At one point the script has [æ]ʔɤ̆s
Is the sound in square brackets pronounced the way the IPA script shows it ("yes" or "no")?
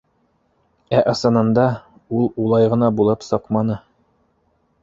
yes